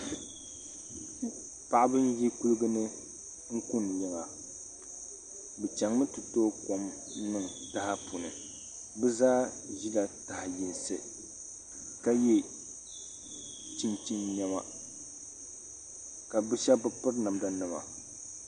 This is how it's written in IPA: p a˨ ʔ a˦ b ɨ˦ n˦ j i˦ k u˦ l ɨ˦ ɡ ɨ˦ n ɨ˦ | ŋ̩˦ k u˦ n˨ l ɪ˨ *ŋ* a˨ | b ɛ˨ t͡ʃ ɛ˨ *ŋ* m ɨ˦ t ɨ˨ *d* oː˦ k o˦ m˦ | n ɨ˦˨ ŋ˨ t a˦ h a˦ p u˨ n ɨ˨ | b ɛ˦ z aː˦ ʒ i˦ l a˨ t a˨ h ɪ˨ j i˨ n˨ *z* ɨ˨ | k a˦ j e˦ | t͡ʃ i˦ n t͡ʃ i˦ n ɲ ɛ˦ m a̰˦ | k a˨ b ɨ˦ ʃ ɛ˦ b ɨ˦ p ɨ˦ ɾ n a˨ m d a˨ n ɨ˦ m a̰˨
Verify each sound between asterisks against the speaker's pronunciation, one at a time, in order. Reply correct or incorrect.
correct, correct, incorrect, incorrect

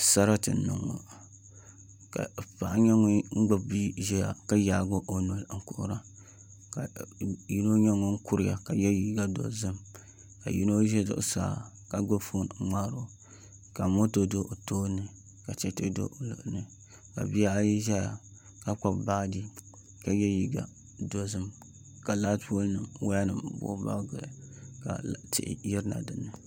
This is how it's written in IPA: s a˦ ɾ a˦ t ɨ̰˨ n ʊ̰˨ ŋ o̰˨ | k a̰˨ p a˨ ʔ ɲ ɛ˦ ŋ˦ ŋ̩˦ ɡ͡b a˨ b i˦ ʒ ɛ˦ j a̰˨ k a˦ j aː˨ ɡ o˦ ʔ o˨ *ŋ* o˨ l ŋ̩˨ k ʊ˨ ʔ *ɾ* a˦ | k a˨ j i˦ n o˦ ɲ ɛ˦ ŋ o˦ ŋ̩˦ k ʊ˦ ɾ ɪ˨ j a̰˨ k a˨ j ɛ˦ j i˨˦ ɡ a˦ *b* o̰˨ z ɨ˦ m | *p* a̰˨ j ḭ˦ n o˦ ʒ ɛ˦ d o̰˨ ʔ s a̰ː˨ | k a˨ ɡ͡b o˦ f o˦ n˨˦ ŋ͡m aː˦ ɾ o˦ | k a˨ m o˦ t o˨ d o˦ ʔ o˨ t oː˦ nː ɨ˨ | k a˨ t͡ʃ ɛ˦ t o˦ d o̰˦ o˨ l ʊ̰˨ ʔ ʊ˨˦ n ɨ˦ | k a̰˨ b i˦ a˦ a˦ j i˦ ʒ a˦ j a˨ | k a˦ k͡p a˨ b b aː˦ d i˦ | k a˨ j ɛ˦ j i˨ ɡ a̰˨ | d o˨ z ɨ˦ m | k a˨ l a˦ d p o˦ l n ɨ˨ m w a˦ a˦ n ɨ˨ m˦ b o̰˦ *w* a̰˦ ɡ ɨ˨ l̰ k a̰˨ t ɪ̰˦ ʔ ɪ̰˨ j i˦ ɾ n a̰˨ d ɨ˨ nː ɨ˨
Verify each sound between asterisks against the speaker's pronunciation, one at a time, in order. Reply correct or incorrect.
incorrect, correct, incorrect, incorrect, incorrect

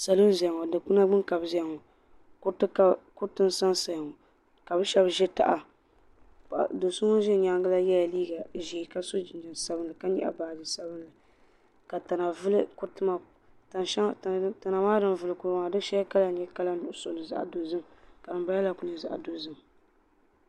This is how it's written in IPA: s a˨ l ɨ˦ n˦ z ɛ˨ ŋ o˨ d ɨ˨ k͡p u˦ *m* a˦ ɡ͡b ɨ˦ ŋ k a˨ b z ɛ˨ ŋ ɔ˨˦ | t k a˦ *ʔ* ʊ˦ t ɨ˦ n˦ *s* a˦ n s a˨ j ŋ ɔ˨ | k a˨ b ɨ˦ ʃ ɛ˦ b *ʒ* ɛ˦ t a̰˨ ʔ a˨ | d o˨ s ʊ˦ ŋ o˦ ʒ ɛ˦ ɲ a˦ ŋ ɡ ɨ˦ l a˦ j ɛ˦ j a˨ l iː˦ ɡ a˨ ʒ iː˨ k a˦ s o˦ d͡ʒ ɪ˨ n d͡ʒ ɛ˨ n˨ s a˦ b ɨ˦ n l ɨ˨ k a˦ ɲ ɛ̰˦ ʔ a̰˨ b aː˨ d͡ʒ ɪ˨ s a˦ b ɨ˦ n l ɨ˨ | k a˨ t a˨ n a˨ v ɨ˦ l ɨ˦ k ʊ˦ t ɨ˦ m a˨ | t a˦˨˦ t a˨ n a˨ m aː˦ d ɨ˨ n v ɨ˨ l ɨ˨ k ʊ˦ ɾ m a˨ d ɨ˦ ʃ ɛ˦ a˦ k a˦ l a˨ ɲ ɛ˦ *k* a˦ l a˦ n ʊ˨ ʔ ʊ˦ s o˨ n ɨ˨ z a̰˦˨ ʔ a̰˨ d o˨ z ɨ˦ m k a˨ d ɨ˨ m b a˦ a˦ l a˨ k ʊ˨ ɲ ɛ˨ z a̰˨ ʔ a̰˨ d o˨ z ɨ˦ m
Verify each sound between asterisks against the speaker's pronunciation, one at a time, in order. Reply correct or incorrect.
incorrect, incorrect, correct, correct, correct

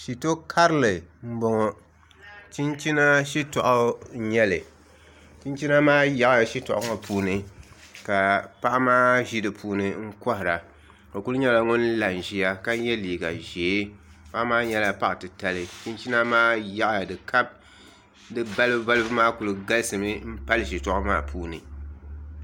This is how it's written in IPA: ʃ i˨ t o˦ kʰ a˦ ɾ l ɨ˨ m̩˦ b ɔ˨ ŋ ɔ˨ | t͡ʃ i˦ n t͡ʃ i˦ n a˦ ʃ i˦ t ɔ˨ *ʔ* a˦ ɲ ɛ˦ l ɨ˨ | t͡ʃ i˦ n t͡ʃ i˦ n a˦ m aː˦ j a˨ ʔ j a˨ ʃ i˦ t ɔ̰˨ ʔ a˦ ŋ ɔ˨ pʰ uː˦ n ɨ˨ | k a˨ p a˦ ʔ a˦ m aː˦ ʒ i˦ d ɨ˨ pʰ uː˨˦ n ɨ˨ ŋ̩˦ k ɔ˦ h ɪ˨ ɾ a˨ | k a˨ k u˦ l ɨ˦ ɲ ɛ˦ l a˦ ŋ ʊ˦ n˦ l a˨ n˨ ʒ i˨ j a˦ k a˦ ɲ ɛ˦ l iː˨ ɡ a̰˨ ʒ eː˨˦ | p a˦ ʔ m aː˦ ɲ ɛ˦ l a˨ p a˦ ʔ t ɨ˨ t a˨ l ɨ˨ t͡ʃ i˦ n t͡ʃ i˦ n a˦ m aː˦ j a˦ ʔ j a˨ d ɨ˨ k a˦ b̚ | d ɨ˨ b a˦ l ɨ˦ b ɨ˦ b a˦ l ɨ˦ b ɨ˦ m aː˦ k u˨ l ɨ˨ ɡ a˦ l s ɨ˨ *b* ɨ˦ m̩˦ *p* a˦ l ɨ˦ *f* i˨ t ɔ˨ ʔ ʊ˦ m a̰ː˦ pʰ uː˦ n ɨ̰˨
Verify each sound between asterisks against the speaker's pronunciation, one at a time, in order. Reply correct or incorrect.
correct, incorrect, correct, incorrect

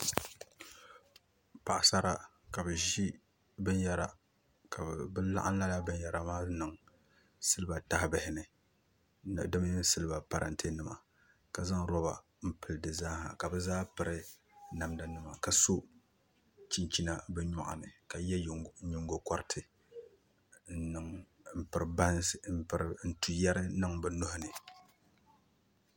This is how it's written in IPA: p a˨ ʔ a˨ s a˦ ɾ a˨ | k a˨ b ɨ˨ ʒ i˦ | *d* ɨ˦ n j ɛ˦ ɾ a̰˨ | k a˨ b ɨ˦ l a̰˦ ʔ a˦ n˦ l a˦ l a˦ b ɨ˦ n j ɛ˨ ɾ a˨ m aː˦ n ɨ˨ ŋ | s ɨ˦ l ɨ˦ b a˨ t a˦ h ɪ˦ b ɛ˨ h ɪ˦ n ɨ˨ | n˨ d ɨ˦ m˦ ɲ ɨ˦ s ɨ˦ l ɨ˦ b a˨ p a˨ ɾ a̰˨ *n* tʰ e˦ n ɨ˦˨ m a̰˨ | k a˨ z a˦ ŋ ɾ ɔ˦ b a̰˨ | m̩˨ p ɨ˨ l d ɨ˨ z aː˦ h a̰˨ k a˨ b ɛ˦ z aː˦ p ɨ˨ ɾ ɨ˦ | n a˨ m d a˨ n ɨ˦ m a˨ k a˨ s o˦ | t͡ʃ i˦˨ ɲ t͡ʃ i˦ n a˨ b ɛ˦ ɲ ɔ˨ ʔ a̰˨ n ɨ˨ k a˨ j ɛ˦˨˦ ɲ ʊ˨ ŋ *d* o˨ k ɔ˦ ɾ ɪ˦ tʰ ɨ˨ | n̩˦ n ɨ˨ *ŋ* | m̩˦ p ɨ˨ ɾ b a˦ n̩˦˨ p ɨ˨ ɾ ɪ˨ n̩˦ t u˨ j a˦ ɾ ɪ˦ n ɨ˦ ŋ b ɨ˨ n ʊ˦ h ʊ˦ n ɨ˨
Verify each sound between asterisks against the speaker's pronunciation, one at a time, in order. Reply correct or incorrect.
incorrect, correct, incorrect, correct

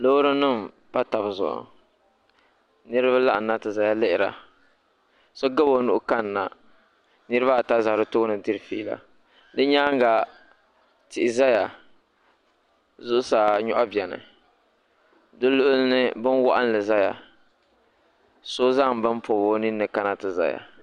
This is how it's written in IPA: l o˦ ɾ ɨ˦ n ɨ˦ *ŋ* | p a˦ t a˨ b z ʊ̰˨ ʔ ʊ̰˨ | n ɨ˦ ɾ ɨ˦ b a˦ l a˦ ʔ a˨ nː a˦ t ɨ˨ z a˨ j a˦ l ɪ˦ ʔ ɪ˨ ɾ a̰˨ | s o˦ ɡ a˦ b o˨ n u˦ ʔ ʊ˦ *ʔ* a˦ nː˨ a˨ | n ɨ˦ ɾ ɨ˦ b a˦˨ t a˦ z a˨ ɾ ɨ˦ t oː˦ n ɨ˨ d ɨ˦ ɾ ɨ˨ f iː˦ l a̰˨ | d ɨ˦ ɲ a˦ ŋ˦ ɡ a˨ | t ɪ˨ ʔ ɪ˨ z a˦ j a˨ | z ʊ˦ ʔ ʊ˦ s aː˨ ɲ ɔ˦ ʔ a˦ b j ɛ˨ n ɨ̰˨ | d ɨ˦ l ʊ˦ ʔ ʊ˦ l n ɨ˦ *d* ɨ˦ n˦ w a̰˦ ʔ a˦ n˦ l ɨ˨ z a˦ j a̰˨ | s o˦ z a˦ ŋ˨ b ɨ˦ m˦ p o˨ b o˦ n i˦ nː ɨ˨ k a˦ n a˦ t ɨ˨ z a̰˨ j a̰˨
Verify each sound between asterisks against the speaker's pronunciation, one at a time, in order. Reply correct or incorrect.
incorrect, incorrect, incorrect

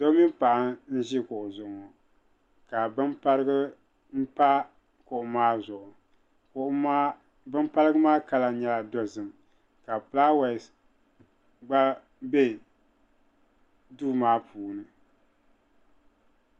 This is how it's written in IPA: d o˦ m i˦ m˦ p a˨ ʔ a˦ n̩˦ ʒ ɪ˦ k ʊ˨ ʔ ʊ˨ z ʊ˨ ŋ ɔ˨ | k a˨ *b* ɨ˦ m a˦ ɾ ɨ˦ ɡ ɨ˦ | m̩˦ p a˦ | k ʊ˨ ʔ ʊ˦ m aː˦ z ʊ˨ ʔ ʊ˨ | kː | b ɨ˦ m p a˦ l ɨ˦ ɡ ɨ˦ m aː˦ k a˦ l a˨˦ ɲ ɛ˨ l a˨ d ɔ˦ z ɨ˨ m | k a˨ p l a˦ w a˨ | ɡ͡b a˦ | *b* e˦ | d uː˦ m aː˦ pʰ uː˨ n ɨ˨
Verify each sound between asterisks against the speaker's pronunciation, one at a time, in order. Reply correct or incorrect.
correct, correct

